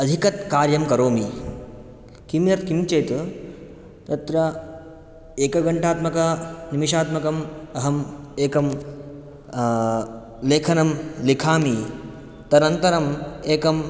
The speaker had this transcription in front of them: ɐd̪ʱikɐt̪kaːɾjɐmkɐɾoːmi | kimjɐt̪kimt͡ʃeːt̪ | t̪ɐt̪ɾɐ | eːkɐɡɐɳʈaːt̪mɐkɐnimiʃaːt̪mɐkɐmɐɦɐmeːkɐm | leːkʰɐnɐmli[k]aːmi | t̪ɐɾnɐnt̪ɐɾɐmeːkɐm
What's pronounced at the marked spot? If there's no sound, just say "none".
kʰ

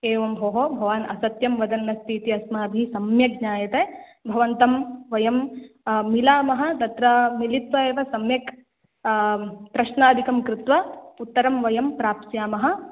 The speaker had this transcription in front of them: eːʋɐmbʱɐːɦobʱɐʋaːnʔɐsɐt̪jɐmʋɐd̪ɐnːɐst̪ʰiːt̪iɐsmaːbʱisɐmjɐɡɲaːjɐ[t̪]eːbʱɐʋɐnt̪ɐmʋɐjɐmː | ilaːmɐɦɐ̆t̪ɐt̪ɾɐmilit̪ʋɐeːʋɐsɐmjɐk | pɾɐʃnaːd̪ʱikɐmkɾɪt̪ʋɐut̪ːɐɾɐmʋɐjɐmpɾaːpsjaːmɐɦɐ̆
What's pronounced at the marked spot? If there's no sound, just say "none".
t̪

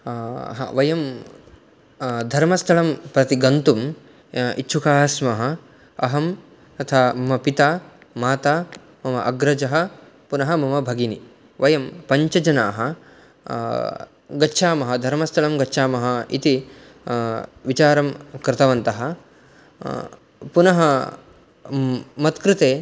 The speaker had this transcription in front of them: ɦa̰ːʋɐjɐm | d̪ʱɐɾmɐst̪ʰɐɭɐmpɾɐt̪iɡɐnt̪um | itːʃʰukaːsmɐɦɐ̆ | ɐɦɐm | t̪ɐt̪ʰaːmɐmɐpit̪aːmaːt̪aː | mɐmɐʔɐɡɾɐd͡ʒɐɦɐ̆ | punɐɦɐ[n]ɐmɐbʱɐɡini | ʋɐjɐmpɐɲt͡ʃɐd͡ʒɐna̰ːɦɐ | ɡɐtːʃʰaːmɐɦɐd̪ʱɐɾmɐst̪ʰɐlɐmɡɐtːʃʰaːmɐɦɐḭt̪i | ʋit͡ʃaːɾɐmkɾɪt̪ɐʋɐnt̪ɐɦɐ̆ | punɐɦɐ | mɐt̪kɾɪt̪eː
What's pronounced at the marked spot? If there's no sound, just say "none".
m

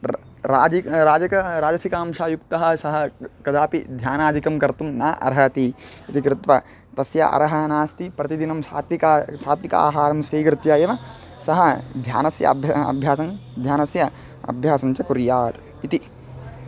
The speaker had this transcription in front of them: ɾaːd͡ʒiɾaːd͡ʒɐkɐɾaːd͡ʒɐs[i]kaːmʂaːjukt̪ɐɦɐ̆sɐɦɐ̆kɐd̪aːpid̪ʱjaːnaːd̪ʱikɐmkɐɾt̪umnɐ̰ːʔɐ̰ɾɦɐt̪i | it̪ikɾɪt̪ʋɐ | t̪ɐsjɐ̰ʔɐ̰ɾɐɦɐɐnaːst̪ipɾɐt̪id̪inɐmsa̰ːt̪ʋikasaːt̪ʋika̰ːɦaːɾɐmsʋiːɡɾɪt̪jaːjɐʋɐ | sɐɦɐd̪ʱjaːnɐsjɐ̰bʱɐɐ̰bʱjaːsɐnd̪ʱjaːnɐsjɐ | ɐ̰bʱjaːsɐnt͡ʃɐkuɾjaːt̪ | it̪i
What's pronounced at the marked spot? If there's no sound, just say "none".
i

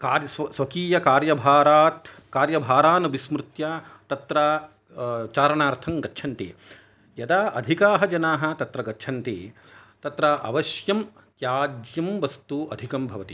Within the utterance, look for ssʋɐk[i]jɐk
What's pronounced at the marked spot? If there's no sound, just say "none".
iː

